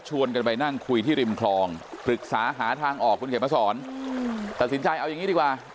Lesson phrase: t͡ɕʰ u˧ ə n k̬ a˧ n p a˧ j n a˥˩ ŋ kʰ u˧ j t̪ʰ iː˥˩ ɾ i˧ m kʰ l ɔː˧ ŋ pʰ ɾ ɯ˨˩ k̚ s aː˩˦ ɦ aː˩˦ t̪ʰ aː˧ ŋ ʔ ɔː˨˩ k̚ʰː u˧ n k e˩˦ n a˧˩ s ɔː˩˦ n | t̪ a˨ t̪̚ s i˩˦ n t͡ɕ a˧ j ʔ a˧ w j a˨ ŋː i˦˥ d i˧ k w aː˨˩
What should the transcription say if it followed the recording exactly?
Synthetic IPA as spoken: t͡ɕʰ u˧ ə n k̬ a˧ n p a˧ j n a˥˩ ŋ kʰ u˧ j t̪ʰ iː˥˩ ɾ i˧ m kʰ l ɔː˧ ŋ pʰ ɾ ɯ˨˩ k̚ s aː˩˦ ɦ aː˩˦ t̪ʰ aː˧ ŋ ʔ ɔː˨˩ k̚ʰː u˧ n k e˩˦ m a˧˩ s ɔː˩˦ n | t̪ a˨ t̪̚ s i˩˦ n t͡ɕ a˧ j ʔ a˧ w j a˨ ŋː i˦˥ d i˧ k w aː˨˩